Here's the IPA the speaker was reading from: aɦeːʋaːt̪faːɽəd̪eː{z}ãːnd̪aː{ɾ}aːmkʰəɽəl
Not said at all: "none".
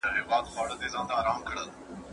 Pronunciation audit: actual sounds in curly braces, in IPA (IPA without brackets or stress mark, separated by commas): z, ɾ